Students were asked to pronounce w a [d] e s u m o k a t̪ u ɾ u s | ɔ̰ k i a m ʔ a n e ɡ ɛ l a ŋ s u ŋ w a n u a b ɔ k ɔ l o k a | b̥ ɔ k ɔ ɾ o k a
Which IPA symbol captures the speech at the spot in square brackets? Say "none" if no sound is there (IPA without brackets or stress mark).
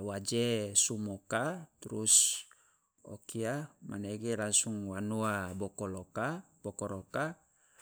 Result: d͡ʒ